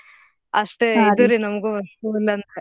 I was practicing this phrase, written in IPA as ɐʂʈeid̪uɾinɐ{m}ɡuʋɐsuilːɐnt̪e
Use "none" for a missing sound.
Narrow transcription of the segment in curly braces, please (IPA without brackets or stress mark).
m